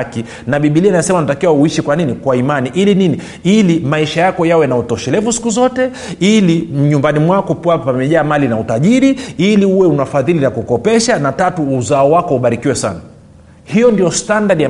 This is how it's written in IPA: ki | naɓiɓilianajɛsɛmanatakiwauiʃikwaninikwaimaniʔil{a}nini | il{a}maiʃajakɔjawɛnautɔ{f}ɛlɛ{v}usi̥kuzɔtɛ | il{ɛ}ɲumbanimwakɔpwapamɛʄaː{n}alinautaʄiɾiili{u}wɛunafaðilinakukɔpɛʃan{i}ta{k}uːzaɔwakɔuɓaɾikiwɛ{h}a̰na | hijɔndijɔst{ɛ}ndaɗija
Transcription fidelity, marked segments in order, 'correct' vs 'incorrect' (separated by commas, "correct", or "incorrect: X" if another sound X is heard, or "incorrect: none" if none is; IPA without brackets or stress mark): incorrect: i, incorrect: i, incorrect: ʃ, correct, incorrect: i, incorrect: m, correct, incorrect: a, incorrect: t, incorrect: s, incorrect: a